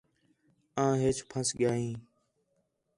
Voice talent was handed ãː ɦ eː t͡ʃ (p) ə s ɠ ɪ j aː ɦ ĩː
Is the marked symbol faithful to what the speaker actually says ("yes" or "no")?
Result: no